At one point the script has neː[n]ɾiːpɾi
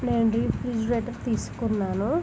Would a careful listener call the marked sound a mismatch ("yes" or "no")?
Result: no